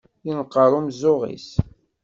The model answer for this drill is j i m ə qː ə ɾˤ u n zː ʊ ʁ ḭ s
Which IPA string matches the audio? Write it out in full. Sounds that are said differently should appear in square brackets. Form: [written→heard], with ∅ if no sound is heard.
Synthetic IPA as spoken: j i [m→n] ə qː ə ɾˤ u [n→m] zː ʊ ʁ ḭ s